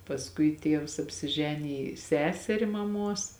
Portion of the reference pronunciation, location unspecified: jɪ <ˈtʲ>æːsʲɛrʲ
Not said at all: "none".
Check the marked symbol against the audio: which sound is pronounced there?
sʲ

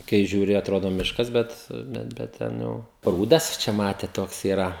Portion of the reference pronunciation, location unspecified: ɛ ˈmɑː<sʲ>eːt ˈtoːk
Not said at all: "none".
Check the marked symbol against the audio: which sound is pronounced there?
tʲ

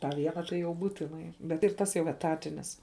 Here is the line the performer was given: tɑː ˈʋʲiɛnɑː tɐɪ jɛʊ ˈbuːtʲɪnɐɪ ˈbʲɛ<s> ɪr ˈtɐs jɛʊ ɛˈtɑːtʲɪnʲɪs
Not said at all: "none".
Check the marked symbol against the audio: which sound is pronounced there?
t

